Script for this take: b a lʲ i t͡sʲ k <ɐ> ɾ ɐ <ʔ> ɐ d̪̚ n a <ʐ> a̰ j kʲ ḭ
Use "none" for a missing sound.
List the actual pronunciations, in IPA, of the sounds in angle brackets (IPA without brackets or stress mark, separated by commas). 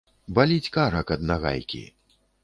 a, k, ɣ